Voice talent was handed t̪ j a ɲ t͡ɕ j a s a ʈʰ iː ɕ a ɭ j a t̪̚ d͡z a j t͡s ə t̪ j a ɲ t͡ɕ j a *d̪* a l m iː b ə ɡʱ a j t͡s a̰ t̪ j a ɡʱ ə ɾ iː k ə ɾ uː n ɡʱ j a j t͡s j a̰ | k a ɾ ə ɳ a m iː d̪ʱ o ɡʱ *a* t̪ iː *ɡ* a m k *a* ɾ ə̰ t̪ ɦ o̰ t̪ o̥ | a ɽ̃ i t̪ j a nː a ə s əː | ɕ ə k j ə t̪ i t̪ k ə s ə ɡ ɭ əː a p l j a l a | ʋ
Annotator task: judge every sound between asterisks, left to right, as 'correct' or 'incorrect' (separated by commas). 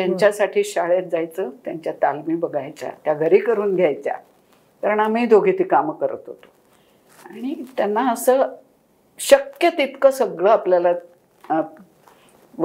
incorrect, incorrect, incorrect, incorrect